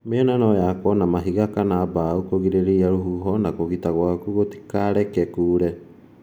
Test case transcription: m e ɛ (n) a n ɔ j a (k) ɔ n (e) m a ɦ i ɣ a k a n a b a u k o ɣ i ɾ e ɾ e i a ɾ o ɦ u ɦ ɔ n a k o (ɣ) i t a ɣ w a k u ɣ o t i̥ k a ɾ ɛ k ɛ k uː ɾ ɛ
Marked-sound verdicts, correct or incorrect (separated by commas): correct, correct, incorrect, correct